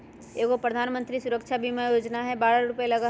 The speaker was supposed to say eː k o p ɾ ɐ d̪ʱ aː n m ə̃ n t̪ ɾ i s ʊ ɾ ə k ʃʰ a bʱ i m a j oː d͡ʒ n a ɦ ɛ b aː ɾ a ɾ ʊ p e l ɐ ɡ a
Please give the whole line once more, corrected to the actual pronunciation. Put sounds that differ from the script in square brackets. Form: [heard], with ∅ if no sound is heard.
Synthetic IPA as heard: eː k o p ɾ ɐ d̪ʱ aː n m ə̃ n t̪ ɾ i s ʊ ɾ ə k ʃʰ a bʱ i m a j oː d͡ʒ n a ɦ ɛ b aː ɾ a ɾ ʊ p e l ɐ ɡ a